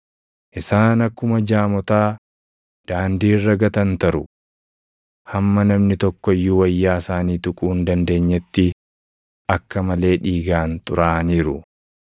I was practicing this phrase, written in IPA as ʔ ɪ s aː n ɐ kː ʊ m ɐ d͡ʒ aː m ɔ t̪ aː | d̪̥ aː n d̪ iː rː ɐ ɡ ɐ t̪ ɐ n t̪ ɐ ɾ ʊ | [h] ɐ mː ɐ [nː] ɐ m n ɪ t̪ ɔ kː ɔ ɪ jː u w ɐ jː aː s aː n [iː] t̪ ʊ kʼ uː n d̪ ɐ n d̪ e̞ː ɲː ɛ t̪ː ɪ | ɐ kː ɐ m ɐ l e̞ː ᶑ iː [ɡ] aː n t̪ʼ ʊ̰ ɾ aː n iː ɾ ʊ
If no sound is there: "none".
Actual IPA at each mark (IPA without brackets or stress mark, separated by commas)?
h, n, iː, ɡ